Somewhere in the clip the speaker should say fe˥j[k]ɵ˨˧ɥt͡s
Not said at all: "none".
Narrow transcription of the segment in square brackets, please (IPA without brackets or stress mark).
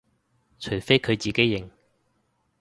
kʰ